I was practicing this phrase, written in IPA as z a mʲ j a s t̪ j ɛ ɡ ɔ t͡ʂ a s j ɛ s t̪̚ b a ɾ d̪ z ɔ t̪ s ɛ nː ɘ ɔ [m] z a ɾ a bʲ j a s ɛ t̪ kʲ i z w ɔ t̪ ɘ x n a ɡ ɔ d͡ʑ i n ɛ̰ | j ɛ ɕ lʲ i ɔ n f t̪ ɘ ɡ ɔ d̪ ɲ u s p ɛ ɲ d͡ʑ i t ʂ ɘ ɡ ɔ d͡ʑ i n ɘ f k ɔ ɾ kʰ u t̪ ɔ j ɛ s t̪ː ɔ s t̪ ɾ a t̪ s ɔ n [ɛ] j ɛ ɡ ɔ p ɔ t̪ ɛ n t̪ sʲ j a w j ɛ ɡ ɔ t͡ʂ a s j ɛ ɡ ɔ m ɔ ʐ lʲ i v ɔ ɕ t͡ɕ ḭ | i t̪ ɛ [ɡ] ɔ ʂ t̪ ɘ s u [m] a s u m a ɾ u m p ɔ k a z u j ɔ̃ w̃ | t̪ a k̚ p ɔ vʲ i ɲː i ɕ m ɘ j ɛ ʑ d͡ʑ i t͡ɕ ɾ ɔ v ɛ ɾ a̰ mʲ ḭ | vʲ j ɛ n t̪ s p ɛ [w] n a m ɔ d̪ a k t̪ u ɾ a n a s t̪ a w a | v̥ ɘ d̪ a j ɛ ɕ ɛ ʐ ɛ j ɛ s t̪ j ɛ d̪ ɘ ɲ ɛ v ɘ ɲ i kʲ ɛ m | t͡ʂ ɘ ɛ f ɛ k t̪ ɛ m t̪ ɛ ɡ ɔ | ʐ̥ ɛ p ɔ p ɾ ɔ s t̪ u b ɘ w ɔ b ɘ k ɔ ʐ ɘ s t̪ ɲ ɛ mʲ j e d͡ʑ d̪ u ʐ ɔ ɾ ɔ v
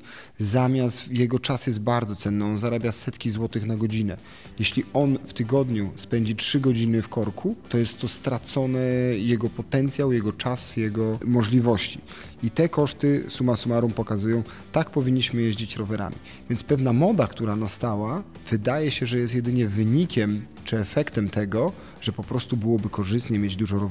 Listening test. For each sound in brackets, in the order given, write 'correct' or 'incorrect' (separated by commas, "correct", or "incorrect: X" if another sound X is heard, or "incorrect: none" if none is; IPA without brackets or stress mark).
incorrect: n, correct, incorrect: k, correct, incorrect: v